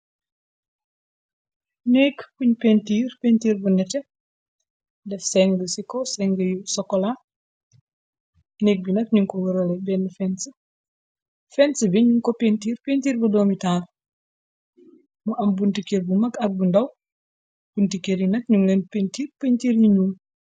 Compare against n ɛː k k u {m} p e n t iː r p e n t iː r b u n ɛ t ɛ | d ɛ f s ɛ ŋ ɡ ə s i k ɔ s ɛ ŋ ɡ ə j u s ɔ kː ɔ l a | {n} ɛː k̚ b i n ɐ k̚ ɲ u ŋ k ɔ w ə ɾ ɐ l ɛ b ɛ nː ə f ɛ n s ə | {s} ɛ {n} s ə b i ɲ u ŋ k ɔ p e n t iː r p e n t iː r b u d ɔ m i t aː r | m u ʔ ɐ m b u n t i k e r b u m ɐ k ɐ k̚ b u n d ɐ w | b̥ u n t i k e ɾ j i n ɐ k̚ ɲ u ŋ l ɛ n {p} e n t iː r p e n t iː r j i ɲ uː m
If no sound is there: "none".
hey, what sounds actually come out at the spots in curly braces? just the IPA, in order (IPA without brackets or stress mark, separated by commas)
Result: ɲ, n, f, n, p